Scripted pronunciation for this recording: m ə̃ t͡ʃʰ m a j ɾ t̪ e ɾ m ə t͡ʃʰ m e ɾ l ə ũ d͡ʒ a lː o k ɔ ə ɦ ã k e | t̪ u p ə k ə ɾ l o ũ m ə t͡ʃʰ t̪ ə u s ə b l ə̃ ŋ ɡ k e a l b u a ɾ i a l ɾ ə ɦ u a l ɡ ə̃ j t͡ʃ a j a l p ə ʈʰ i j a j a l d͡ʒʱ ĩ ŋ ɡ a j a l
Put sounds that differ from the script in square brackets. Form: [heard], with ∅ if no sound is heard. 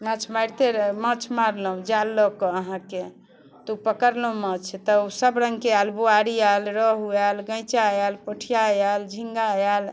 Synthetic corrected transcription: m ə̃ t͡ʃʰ m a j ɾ t̪ e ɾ m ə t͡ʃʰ m [a] ɾ l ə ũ d͡ʒ a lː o k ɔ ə ɦ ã k e | t̪ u p ə k ə ɾ l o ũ m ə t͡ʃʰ t̪ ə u s ə b [ɾ] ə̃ ŋ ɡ k e a l b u a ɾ i a l ɾ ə ɦ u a l ɡ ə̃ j t͡ʃ a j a l p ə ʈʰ i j a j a l d͡ʒʱ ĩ ŋ ɡ a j a l